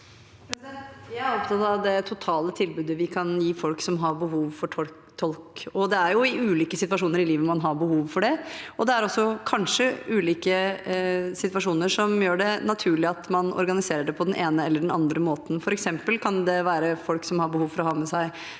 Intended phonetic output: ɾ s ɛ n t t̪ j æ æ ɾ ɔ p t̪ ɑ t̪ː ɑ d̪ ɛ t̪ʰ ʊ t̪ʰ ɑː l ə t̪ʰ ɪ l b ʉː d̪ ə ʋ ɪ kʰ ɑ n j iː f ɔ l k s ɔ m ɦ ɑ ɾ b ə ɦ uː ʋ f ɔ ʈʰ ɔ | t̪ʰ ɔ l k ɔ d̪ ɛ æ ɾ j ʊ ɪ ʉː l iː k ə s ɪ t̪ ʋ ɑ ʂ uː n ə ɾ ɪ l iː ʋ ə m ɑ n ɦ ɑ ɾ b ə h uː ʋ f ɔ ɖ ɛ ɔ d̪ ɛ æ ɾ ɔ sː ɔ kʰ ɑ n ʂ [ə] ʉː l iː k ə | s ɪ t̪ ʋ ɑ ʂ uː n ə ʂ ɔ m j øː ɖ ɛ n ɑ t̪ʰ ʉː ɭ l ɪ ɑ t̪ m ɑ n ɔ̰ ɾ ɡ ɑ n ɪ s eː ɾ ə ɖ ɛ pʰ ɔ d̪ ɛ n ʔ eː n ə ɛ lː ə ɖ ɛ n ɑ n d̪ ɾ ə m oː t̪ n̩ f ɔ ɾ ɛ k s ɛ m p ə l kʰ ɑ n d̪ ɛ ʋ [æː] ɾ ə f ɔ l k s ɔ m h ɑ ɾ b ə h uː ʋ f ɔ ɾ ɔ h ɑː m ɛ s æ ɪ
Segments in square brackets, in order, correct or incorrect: correct, correct

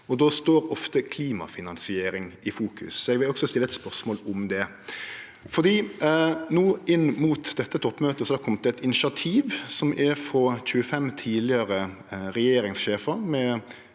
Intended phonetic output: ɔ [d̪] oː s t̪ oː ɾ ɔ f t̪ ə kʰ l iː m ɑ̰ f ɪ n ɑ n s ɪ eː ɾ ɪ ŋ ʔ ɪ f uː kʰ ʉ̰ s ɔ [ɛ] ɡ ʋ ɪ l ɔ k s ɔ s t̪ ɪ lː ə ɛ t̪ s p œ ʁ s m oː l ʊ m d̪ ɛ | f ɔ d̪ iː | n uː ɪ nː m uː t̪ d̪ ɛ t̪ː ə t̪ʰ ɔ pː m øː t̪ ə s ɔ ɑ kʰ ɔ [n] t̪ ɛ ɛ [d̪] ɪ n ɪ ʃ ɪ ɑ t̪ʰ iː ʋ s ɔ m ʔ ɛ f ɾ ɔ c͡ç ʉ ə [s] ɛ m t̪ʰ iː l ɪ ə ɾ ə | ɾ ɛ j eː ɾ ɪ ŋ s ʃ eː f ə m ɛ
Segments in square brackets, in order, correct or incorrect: correct, correct, incorrect: m, incorrect: t̪, incorrect: f

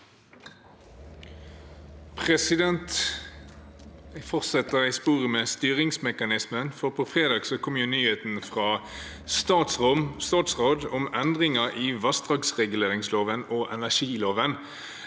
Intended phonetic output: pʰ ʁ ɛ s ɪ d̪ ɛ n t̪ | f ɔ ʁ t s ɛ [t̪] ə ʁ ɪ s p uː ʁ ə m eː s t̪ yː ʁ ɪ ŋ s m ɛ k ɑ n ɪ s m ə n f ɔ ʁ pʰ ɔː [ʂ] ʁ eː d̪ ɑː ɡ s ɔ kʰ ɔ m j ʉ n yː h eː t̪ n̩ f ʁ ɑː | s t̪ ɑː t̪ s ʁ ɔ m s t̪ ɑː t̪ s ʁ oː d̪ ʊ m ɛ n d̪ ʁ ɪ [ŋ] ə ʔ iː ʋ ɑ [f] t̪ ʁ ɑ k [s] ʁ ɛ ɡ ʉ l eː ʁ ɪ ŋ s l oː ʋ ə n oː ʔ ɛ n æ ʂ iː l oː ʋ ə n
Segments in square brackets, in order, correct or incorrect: correct, incorrect: f, correct, incorrect: s, correct

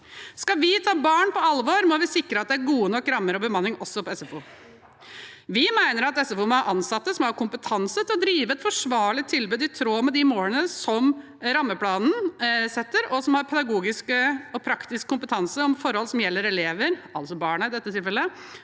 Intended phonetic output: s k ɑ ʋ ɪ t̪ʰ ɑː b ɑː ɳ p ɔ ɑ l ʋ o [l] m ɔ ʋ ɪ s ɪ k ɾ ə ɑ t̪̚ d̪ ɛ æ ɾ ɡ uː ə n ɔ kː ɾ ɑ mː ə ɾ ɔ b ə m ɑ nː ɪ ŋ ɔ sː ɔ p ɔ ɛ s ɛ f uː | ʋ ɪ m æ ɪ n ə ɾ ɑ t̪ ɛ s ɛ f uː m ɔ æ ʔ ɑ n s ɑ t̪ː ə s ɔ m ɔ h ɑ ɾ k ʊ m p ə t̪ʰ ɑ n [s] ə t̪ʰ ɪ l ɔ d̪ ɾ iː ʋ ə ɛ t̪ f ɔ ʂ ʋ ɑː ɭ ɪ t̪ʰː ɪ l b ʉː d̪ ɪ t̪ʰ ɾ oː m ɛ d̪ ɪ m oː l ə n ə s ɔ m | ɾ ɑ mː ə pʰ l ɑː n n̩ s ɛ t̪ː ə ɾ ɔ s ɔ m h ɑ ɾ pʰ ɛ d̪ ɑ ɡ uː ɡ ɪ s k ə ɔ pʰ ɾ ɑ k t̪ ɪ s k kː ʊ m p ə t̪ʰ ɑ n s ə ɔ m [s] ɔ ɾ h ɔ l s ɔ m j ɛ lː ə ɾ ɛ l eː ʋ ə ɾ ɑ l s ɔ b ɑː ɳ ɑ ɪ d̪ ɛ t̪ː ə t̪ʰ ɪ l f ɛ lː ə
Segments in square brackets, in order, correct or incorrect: incorrect: ɾ, correct, incorrect: f

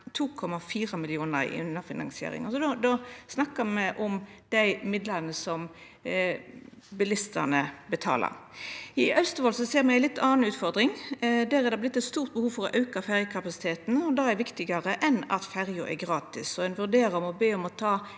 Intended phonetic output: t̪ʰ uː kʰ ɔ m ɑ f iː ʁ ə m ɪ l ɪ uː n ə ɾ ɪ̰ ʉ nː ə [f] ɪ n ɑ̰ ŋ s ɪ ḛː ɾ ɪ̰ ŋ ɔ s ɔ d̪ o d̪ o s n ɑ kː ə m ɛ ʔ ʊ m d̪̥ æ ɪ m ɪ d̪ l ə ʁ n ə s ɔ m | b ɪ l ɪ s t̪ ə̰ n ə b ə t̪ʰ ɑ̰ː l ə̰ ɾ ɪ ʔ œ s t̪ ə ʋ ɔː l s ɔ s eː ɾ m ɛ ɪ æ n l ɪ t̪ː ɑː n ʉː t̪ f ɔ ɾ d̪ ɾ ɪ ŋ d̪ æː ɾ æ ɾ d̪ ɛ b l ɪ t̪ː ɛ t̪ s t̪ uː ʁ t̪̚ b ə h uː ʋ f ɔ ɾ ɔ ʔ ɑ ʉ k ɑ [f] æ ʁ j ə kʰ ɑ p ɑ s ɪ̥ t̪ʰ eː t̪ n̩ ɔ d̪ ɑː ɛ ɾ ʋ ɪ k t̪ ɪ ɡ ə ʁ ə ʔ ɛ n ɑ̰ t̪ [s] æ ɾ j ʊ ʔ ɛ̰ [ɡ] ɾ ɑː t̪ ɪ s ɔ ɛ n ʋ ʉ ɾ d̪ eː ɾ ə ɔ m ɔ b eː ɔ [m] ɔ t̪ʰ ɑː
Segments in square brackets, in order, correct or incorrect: correct, correct, incorrect: f, correct, correct

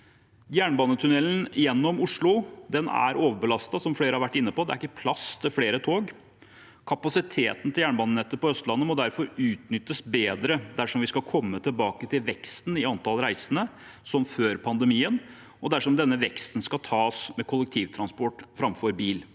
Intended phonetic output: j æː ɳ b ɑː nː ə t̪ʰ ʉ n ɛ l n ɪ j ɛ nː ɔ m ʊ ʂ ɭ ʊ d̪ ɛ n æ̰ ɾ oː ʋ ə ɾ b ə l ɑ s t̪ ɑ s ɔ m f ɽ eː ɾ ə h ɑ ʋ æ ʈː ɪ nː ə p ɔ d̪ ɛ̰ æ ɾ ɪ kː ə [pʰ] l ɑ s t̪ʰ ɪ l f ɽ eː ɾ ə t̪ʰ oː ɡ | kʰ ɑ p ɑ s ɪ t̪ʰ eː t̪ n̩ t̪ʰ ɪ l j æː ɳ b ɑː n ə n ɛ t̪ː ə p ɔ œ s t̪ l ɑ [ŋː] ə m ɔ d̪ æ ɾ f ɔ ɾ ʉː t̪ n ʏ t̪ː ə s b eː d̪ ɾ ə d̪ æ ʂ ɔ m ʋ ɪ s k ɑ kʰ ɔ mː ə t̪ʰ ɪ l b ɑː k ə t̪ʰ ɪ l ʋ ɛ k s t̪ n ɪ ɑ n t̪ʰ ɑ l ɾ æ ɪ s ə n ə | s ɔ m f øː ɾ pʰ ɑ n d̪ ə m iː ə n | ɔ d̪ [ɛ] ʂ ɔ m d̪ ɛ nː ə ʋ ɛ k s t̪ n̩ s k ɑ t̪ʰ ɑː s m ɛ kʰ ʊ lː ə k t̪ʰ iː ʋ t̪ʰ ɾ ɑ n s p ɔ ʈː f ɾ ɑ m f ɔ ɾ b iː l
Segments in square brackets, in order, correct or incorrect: correct, incorrect: nː, incorrect: æ

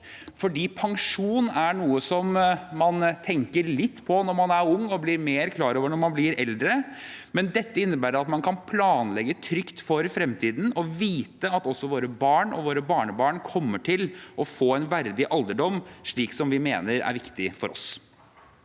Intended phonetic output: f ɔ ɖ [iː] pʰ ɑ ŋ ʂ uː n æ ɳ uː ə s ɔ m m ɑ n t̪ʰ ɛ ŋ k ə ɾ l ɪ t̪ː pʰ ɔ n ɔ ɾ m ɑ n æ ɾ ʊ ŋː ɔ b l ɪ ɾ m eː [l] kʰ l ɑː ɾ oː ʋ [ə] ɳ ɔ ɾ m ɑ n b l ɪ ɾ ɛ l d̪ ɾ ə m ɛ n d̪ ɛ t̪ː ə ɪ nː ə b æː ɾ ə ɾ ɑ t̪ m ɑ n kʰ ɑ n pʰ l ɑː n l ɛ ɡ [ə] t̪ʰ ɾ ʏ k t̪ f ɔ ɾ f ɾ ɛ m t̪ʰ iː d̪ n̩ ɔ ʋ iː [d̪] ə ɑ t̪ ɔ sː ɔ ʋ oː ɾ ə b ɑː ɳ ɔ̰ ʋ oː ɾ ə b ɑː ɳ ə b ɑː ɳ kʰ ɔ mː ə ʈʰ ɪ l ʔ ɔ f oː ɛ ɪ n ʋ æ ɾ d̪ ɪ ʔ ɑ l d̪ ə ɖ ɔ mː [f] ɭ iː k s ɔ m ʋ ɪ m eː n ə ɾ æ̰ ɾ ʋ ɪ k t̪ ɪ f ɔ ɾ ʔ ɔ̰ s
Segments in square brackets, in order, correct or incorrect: correct, incorrect: ɾ, correct, correct, incorrect: t̪, incorrect: ʂ

